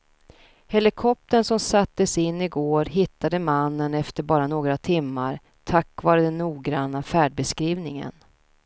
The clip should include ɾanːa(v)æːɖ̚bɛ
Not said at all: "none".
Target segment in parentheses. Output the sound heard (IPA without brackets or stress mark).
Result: f